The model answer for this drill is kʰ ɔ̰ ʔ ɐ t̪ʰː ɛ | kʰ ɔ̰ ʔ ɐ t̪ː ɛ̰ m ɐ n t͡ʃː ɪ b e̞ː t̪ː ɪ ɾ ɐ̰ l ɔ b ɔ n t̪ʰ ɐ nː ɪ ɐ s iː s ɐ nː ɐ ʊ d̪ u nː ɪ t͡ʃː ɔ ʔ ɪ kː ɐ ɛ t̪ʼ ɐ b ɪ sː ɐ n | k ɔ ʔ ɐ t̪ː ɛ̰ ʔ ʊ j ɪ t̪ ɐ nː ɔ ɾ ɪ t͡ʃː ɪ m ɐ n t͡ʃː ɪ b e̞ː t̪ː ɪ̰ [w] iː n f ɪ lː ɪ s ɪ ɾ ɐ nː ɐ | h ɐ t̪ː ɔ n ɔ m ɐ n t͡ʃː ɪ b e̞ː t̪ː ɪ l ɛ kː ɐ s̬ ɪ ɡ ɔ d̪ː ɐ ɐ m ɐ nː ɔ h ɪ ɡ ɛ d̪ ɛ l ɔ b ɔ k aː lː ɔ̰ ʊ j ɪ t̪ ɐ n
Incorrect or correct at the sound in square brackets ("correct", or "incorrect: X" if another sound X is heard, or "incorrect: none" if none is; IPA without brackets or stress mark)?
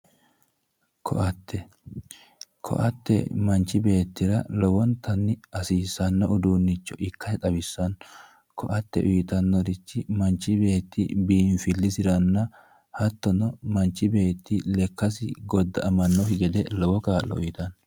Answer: incorrect: b